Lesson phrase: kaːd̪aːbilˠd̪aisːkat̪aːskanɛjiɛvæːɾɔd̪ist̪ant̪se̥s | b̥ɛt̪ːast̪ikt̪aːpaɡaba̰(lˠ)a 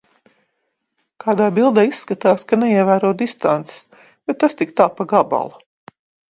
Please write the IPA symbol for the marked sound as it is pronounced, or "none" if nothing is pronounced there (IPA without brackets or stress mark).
lˠ